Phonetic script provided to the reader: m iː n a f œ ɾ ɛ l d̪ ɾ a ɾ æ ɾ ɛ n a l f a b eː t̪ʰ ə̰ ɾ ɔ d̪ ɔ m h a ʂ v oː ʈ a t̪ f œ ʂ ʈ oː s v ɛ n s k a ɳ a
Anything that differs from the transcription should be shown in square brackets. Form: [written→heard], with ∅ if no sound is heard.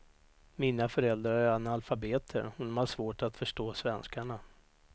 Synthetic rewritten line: m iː n a f œ ɾ ɛ l d̪ ɾ a ɾ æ ɾ [ɛ→a] n a l f a b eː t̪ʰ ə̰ ɾ ɔ d̪ ɔ m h a ʂ v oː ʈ a t̪ f œ ʂ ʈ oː s v ɛ n s k a ɳ a